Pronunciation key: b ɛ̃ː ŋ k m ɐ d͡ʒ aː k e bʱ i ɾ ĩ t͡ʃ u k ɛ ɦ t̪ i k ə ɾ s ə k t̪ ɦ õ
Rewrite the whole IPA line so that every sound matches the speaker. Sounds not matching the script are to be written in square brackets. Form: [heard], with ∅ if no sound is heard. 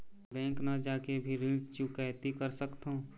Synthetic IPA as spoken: b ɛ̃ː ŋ k [n] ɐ d͡ʒ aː k e bʱ i ɾ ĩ t͡ʃ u k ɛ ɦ t̪ i k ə ɾ s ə k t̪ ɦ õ